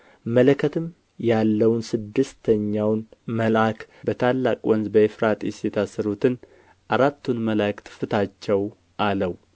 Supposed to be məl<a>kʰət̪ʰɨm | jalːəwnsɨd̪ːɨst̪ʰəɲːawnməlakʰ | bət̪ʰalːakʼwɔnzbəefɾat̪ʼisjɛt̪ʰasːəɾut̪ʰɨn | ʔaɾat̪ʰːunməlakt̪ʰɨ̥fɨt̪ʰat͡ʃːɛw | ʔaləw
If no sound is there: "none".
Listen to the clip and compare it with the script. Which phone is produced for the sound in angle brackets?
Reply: ə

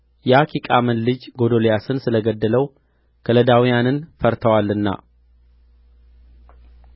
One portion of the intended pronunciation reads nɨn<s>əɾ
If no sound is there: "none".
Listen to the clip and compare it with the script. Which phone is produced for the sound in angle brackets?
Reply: f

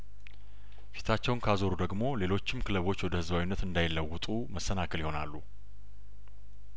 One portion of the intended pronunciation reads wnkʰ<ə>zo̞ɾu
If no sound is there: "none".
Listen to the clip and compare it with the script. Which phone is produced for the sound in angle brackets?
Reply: a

